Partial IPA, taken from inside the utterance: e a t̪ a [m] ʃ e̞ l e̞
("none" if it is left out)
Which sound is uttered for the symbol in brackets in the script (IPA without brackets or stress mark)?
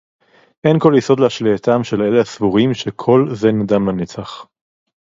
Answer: m